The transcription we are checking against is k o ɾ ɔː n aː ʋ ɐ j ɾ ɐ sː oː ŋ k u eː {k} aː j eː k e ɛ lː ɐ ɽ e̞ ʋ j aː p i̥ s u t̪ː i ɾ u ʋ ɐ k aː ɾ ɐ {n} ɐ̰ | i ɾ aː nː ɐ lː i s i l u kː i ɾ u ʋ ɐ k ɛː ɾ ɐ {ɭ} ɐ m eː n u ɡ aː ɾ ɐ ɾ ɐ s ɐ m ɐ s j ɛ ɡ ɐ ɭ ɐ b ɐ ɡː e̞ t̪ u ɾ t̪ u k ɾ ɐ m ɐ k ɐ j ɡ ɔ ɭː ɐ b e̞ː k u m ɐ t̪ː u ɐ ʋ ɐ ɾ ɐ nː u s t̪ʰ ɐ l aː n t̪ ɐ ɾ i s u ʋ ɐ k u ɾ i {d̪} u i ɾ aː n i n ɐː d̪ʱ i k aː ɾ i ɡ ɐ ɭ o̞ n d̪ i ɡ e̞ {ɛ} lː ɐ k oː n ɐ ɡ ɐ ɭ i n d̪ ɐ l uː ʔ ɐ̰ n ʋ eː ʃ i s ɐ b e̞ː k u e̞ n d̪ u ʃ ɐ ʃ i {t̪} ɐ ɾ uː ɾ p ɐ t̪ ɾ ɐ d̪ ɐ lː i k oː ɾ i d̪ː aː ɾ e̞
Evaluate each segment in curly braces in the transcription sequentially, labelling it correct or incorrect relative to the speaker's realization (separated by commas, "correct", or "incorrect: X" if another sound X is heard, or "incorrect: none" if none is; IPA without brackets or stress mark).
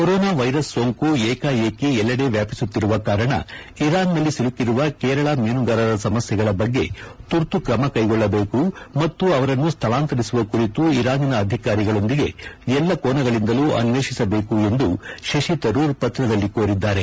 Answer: correct, incorrect: ɳ, correct, incorrect: t̪, correct, correct